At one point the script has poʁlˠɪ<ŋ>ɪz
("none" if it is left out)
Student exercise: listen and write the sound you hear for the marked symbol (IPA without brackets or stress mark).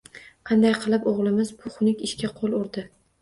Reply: m